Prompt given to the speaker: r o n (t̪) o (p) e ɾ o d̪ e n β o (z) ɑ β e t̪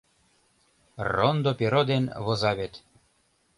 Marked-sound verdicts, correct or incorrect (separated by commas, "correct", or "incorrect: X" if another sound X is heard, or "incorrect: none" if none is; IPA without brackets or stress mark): incorrect: d̪, correct, correct